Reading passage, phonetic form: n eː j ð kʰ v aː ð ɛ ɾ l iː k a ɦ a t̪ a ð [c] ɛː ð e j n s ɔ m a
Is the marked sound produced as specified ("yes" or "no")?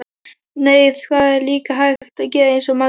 yes